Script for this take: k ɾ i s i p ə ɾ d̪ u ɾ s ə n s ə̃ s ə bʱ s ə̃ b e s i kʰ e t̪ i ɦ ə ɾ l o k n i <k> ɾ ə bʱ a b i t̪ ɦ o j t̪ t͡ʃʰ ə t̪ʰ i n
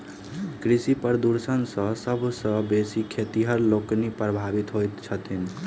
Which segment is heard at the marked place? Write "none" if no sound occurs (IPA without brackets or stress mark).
p